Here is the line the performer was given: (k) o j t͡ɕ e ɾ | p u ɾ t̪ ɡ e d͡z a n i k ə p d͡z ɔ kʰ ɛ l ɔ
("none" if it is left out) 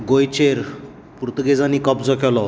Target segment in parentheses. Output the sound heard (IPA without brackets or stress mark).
ɡ